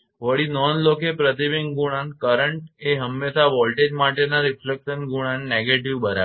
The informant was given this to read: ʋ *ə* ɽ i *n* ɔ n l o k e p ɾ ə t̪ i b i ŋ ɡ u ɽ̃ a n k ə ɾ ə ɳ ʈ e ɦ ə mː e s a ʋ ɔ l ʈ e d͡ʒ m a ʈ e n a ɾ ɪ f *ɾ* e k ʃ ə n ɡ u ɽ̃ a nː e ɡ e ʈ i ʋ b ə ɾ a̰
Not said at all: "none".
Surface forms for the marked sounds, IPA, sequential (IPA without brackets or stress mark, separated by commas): ə, n, l